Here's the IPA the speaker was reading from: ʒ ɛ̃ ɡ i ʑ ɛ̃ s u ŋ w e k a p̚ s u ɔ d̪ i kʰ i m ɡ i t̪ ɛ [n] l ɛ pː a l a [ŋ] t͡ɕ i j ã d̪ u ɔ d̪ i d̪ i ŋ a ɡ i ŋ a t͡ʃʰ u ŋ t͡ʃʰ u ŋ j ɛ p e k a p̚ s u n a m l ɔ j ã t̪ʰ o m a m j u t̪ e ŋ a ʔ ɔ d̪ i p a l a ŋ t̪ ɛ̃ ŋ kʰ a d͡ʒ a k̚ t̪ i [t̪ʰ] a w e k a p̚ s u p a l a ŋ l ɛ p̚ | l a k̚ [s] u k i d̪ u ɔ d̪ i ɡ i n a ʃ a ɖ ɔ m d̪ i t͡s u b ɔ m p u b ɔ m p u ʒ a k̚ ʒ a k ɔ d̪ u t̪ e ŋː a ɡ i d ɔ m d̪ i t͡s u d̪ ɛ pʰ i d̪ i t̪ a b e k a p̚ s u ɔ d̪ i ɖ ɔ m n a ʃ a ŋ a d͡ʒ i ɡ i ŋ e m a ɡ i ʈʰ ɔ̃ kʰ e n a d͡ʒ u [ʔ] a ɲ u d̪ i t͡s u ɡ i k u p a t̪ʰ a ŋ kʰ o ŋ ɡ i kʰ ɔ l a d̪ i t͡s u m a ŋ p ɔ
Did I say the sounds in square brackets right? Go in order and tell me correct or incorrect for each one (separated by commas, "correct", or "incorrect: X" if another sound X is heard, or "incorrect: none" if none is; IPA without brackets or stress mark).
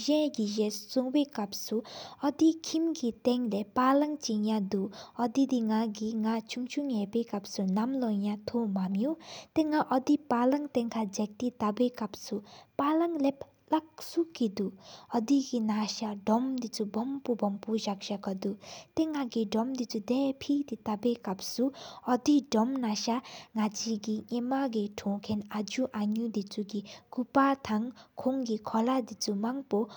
incorrect: ŋ, correct, incorrect: t̪, correct, correct